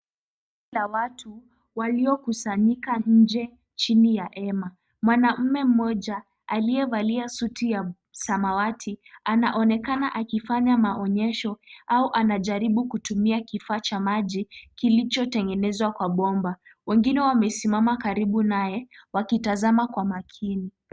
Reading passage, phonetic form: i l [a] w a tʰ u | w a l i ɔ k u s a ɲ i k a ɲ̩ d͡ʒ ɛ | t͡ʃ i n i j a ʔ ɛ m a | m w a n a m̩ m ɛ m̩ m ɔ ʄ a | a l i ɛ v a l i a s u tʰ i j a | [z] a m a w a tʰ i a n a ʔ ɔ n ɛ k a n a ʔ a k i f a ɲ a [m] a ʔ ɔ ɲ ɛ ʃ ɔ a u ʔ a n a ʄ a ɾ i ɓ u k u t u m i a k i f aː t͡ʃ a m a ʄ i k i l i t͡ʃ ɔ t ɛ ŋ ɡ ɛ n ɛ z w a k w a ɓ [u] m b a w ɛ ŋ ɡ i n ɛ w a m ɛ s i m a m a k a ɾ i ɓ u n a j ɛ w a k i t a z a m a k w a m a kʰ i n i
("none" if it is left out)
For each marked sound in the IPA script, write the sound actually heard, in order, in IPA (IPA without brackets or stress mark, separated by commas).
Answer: a, s, m, ɔ